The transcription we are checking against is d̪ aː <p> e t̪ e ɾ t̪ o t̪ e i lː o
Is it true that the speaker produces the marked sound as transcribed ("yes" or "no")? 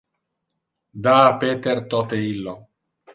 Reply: yes